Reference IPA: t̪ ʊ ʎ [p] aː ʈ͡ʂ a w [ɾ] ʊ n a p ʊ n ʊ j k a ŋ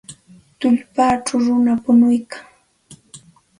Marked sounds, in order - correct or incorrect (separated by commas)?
correct, correct